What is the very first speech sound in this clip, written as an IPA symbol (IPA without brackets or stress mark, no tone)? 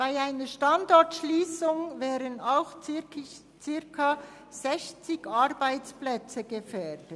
b̥